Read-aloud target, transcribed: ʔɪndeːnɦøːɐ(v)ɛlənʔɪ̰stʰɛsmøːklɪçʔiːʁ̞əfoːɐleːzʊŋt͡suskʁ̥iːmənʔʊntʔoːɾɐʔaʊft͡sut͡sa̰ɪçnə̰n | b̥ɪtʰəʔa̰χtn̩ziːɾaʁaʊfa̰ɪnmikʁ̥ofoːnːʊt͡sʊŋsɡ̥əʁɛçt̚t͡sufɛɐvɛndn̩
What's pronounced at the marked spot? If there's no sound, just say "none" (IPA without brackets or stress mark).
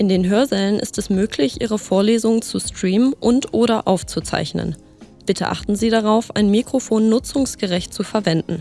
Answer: z